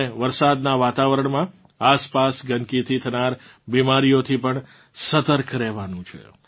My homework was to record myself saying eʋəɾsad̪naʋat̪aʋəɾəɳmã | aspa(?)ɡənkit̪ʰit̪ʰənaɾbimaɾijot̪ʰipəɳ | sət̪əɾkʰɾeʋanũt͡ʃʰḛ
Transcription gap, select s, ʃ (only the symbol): s